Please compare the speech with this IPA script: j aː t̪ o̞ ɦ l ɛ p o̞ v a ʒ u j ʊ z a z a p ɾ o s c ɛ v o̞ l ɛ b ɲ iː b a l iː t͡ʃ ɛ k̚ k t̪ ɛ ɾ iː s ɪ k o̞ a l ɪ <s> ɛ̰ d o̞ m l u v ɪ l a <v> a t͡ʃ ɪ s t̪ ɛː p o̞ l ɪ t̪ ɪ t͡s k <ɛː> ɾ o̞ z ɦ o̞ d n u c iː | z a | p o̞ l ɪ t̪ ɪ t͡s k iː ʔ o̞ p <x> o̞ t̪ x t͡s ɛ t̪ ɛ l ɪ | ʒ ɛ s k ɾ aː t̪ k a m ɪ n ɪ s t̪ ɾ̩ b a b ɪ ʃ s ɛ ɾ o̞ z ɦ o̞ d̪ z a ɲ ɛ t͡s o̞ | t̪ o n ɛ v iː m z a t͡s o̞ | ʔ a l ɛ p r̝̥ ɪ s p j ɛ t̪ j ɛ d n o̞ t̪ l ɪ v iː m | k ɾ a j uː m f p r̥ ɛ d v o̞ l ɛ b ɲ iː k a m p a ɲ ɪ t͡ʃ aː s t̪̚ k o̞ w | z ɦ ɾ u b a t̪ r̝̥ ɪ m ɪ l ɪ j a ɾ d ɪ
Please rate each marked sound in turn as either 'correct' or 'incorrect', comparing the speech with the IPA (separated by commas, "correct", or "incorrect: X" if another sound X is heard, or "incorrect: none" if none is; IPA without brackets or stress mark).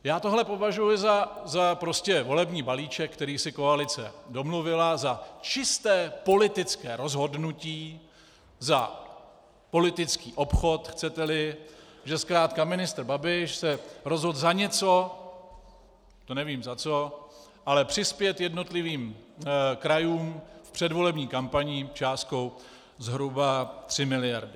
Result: incorrect: t͡s, incorrect: z, correct, correct